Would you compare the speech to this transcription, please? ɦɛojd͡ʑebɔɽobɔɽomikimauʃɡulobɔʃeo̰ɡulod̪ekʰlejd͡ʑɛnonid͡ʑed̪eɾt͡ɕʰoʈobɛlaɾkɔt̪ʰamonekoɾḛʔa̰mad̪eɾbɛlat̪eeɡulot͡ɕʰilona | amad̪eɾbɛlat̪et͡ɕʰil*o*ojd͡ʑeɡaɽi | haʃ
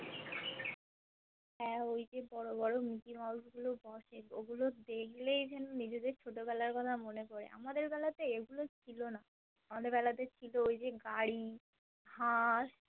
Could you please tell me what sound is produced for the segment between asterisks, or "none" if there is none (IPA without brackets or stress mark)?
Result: o